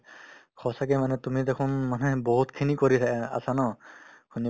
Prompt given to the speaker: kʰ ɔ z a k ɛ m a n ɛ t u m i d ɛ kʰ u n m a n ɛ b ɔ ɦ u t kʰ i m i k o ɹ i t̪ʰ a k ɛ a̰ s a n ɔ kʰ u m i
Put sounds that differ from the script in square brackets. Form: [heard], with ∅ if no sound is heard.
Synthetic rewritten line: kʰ ɔ [s] a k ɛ m a n ɛ t u m i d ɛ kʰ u n m a n ɛ b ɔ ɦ u t kʰ i [n] i k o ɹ i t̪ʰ a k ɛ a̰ s a n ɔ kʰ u [n] i